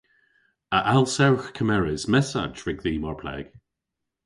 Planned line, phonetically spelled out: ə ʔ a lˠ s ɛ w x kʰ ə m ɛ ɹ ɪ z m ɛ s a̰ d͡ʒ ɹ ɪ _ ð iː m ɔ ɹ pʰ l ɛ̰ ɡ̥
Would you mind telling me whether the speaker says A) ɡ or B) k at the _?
A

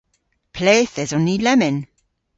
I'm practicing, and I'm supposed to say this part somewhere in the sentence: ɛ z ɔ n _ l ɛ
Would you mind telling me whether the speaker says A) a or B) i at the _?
B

